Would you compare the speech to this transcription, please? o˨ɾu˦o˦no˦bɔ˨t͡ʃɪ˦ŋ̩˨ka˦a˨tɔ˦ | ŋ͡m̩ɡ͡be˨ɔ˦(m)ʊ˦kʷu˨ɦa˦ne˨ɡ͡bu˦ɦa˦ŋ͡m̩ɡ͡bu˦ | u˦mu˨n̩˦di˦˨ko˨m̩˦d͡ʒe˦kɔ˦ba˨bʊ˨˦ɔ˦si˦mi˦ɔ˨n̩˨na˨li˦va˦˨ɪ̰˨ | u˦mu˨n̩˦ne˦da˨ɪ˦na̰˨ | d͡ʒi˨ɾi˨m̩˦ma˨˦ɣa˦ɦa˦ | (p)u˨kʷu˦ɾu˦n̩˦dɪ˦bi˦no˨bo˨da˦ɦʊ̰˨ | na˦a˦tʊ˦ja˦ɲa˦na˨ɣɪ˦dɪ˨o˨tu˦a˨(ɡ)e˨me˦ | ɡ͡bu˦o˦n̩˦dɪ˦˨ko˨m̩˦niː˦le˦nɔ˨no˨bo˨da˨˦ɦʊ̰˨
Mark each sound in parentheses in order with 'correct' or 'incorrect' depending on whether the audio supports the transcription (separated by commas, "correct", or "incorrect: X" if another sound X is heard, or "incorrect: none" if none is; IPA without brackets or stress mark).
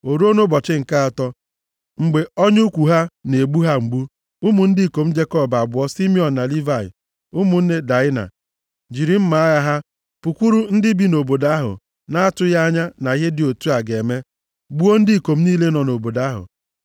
incorrect: ɲ, correct, correct